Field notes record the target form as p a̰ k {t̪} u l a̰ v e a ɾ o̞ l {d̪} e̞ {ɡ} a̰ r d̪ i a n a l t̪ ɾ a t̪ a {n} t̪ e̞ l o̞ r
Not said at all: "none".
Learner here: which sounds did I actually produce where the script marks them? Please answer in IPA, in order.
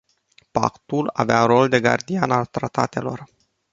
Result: t̪, d̪, ɡ, none

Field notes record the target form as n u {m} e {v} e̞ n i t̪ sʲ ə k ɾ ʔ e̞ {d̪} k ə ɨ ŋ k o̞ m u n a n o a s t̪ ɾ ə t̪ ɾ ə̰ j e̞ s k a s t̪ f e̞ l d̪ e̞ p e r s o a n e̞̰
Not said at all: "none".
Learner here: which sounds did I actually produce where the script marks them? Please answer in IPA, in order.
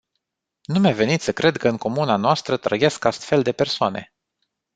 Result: m, v, d̪

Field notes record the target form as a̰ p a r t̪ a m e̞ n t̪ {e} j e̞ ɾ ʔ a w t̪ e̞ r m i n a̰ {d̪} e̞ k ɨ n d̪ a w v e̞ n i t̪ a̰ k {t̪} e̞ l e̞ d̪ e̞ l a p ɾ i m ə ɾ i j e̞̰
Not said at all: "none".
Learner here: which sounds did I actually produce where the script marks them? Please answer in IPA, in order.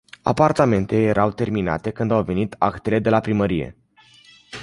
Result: e, t̪, t̪

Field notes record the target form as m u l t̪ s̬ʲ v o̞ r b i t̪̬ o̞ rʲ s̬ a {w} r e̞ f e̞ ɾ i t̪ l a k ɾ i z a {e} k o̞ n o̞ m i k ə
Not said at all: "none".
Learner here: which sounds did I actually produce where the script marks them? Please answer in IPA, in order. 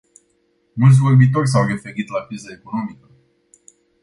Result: w, e

